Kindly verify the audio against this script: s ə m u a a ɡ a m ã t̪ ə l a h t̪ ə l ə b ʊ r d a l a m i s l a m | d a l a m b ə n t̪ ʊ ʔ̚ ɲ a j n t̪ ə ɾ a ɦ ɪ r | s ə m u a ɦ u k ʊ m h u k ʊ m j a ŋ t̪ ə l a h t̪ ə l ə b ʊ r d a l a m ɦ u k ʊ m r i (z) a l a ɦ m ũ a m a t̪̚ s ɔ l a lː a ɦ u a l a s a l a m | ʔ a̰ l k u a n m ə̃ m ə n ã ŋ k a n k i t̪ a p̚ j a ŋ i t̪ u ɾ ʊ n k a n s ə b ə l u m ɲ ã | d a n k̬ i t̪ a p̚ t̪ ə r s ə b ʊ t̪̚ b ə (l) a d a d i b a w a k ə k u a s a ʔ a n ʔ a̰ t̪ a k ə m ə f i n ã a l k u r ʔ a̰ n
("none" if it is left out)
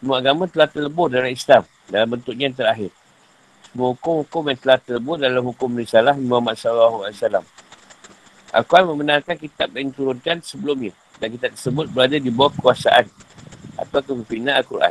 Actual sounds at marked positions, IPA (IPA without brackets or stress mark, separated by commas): s, ɾ